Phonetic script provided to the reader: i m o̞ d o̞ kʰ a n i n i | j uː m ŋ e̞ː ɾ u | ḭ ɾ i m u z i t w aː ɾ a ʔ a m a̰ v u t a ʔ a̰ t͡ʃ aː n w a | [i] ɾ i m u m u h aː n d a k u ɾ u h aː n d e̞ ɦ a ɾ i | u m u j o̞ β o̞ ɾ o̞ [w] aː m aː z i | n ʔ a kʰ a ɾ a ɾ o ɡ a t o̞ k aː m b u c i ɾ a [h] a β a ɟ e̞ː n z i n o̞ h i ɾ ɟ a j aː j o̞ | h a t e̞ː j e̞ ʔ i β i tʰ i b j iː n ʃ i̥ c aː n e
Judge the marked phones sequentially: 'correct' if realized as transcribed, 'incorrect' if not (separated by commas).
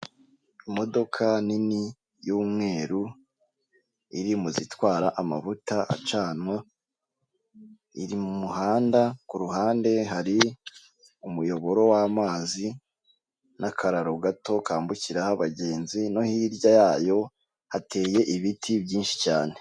correct, correct, correct